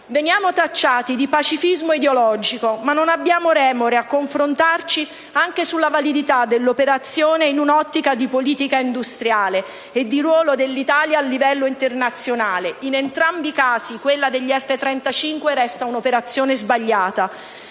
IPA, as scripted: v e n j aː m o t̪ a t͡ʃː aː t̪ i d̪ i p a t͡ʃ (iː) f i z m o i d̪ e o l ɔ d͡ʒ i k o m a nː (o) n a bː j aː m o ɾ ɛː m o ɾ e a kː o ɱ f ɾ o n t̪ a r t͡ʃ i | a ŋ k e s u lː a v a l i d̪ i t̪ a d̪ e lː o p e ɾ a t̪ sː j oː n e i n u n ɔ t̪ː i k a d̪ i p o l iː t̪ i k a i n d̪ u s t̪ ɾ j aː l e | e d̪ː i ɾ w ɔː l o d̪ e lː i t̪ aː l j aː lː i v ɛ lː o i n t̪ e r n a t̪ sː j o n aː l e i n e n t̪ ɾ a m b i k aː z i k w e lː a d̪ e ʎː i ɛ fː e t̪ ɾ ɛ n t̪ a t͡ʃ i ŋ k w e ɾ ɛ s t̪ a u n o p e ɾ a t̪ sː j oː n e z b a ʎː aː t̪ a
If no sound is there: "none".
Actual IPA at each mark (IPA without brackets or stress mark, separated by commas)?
i, o